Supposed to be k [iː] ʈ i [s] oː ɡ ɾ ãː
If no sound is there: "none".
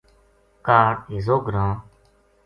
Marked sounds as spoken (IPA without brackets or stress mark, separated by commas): aː, z